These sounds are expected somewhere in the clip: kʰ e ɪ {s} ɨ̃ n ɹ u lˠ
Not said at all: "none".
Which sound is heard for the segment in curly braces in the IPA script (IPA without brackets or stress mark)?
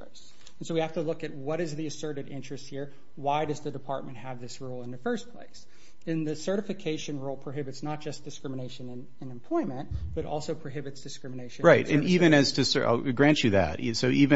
ʃ